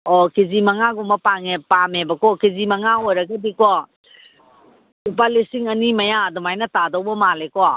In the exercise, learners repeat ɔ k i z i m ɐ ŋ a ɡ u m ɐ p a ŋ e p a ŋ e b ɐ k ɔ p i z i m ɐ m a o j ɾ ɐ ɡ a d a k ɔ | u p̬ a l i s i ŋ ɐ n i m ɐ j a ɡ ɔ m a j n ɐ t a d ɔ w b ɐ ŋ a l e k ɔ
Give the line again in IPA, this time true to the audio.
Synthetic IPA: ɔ k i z i m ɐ ŋ a ɡ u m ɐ p a ŋ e p a m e b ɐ k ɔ k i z i m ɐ ŋ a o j ɾ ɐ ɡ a d i k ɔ | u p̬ a l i s i ŋ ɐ n i m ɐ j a d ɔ m a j n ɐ t a d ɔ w b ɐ m a l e k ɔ